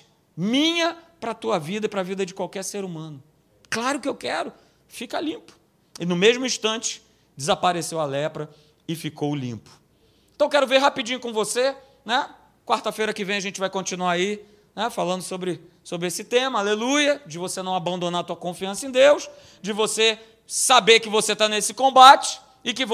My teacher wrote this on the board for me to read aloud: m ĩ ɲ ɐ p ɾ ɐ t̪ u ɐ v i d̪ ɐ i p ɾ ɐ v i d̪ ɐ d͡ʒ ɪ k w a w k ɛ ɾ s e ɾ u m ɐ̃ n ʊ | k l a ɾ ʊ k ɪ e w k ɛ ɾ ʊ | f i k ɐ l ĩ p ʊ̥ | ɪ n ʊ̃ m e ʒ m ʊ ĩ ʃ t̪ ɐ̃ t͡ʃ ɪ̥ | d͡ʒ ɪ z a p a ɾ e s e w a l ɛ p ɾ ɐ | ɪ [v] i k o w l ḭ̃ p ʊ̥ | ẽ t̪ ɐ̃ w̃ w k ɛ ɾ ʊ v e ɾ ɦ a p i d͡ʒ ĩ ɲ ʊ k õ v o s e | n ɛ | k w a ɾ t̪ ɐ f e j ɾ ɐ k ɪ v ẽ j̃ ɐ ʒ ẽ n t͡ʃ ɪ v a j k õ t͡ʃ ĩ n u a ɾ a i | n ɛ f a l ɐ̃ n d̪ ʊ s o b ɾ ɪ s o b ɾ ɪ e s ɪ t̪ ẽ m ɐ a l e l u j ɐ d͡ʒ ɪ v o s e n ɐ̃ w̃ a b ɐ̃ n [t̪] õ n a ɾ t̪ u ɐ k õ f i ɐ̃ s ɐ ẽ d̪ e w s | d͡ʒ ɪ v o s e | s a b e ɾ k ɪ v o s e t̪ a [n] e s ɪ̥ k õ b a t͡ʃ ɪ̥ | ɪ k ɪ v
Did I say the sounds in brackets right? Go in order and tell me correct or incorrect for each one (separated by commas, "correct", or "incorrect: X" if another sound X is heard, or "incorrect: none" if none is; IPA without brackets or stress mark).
incorrect: f, incorrect: d̪, correct